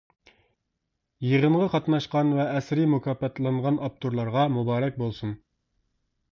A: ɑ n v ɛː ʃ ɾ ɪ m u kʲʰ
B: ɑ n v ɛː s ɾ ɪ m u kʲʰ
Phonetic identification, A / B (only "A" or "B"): B